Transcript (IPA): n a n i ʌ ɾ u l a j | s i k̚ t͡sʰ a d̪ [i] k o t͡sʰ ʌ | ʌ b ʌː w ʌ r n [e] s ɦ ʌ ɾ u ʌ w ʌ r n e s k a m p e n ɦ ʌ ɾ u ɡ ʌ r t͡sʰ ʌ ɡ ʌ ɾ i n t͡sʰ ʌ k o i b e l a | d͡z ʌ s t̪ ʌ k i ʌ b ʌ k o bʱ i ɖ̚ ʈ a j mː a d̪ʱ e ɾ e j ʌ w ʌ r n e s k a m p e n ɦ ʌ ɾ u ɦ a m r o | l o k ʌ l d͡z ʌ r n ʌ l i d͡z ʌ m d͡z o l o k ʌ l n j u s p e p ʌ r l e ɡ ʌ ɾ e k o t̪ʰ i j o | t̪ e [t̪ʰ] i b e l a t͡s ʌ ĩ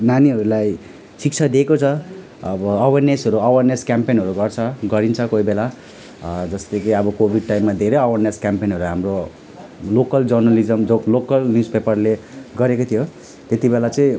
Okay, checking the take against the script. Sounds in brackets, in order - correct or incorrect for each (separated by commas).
incorrect, correct, incorrect